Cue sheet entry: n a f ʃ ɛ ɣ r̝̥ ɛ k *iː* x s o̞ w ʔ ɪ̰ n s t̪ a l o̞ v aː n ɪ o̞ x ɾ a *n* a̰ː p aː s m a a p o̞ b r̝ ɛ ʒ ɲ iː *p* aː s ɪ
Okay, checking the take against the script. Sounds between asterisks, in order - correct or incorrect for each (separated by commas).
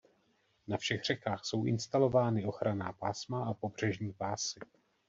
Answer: incorrect, correct, correct